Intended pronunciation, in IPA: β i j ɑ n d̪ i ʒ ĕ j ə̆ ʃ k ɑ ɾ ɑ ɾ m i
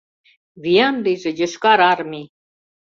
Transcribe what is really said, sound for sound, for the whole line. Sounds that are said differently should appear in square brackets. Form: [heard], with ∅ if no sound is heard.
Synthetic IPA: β i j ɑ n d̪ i ʒ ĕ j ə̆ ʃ k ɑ ɾ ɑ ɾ m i